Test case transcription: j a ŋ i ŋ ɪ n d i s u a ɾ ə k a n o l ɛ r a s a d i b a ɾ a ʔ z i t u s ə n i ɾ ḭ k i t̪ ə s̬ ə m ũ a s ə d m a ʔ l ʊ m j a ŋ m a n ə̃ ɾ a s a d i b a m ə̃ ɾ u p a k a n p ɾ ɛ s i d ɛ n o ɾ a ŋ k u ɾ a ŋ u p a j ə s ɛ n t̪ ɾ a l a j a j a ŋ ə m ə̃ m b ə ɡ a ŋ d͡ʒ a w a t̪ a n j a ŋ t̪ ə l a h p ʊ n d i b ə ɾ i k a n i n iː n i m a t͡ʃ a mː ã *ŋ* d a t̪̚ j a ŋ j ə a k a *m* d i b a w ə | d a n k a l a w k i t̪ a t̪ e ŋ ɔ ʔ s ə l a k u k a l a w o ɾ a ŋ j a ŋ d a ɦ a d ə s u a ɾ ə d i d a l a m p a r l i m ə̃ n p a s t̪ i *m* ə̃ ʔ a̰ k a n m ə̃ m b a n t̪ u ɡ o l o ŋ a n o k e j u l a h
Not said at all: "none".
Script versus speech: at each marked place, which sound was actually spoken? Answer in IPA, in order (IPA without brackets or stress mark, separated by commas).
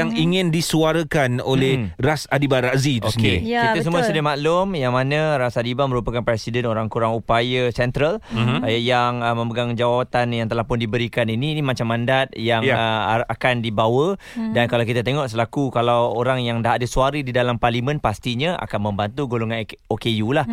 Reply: n, n, ɲ